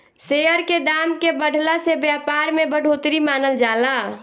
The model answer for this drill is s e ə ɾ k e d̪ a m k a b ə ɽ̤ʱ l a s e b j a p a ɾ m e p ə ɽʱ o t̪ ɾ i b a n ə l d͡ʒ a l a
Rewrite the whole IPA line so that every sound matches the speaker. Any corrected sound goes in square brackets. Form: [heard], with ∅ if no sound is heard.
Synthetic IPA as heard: s e ə ɾ k e d̪ a m k [e] b ə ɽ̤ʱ l a s e b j a p a ɾ m e [b] ə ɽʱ o t̪ ɾ i [m] a n ə l d͡ʒ a l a